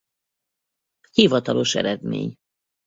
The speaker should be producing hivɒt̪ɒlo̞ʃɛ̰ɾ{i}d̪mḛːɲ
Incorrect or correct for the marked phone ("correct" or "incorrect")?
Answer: incorrect